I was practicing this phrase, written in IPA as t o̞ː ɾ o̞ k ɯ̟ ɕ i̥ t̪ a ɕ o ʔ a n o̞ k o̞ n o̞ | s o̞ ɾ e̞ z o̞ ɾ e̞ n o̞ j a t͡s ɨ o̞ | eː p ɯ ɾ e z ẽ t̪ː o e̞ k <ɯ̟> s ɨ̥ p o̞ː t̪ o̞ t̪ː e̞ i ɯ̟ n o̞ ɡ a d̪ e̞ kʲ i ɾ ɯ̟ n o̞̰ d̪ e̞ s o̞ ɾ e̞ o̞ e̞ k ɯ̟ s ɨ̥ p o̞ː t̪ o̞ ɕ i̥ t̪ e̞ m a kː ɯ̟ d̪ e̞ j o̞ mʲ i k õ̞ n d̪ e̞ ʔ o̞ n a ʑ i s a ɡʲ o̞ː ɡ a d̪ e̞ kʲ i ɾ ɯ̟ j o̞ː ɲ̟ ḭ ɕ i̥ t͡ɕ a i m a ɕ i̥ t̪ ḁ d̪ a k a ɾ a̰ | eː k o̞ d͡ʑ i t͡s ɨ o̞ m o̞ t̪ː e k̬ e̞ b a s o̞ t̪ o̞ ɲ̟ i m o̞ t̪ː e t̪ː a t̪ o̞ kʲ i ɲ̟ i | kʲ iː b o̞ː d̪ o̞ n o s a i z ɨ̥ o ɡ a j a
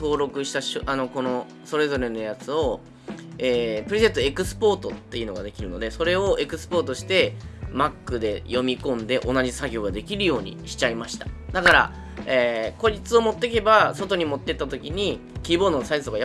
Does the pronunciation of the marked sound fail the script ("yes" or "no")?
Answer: no